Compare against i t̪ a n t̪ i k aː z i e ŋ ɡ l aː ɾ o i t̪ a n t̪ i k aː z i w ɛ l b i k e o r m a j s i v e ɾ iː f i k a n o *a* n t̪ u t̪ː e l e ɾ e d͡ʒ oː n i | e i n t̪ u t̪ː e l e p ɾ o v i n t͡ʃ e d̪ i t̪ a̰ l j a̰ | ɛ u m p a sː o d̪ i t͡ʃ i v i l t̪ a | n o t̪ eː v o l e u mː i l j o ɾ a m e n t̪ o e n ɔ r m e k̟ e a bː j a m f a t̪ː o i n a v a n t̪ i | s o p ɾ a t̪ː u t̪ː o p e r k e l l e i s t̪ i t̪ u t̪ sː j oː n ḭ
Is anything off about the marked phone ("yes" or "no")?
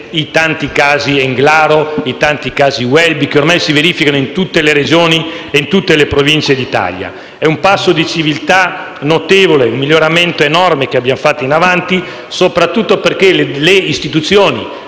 yes